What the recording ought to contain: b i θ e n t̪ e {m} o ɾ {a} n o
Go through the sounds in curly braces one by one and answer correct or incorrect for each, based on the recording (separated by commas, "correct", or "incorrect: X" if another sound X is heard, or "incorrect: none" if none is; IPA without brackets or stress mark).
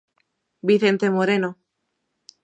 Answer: correct, incorrect: e